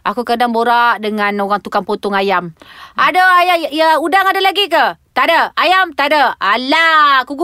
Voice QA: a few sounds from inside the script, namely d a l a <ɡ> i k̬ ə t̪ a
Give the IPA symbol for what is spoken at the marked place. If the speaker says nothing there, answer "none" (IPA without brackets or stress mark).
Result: ɡ